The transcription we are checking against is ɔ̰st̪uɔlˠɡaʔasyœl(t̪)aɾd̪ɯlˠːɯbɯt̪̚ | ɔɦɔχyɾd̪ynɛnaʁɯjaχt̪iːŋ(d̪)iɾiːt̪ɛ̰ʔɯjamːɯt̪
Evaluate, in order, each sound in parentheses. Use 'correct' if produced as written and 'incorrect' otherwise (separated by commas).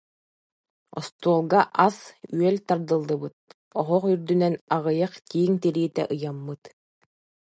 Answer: correct, incorrect